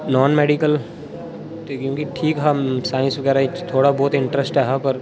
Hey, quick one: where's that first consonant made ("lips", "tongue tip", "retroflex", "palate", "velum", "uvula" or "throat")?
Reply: tongue tip